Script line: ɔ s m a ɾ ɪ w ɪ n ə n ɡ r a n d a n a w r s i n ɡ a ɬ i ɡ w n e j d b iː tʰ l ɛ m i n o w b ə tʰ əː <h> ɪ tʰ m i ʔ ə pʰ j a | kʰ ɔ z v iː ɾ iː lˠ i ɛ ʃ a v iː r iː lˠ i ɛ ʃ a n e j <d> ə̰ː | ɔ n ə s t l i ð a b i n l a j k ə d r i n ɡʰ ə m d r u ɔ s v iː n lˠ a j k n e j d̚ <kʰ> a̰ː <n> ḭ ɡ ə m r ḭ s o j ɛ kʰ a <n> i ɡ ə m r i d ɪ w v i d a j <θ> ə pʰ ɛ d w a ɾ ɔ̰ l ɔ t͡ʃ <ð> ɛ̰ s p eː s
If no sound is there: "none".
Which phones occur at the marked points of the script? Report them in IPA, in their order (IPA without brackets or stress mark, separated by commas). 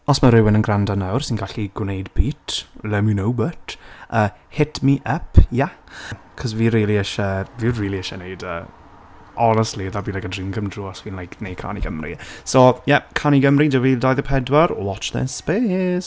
h, d, kʰ, n, n, ð, ð